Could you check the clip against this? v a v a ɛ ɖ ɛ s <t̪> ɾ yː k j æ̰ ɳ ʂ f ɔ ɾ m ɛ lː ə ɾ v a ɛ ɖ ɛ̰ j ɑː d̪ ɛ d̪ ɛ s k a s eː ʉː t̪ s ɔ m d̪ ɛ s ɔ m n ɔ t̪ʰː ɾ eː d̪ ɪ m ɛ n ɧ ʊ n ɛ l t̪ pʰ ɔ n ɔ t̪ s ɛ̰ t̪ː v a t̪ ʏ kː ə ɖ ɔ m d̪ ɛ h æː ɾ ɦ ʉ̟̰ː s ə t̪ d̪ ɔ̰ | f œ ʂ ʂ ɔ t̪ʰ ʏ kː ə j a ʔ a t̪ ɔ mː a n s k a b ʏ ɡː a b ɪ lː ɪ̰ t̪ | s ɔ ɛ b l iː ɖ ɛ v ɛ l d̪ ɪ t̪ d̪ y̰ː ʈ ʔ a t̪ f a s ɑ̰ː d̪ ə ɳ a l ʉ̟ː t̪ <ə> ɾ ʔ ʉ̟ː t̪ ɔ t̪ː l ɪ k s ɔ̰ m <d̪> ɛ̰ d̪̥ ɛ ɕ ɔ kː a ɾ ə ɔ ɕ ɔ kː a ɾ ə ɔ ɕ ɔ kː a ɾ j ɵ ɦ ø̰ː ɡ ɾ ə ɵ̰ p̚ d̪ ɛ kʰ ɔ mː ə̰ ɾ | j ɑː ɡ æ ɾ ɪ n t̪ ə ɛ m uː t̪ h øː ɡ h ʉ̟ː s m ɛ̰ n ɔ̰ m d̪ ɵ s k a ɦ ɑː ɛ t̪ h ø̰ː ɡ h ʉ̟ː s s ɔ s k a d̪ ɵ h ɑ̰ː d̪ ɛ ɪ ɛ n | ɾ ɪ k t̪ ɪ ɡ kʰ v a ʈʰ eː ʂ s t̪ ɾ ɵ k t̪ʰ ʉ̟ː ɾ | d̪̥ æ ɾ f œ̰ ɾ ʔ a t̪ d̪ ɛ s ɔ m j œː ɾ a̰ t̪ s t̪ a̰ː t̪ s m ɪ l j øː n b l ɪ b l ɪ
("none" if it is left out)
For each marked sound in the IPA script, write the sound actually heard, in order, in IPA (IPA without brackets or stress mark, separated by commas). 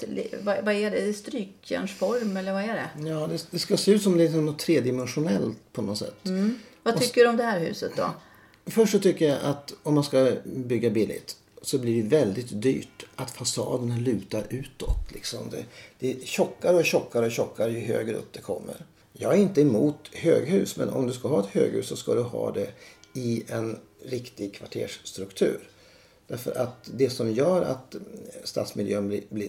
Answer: t̪, a, d̪